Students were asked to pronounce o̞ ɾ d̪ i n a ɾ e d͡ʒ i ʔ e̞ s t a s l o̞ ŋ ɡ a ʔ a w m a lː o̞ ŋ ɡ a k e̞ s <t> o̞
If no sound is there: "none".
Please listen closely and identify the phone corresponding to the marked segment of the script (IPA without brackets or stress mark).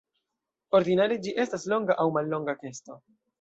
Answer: t